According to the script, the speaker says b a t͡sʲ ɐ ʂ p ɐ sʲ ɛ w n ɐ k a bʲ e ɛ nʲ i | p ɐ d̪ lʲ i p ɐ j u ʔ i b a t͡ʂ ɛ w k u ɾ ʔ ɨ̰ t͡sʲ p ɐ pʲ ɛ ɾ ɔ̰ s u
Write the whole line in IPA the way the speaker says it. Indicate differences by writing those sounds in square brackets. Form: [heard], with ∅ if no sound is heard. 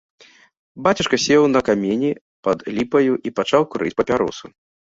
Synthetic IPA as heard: b a t͡sʲ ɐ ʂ [k] ɐ sʲ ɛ w n ɐ k a [mʲ] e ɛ nʲ i | p ɐ d̪ lʲ i p ɐ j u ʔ i [p] a t͡ʂ [a] w k u ɾ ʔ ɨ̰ t͡sʲ p ɐ pʲ [a] ɾ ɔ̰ s u